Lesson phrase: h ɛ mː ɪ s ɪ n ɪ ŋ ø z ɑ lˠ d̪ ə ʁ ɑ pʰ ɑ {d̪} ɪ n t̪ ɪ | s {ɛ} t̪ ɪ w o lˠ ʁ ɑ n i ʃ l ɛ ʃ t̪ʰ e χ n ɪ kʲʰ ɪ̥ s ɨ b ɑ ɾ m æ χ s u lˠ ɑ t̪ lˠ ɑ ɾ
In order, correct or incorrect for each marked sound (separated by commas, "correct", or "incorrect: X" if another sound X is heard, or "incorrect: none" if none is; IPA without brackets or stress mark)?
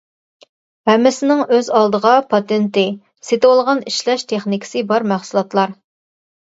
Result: incorrect: t̪, incorrect: e